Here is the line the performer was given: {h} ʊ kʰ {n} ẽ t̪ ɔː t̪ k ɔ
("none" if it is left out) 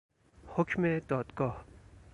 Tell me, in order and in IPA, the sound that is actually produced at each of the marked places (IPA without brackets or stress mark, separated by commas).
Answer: h, m